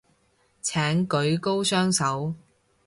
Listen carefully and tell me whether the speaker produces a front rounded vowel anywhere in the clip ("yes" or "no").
yes